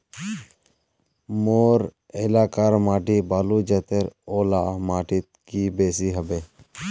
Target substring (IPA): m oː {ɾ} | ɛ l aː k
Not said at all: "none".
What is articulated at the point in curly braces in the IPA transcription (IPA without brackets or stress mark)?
ɾ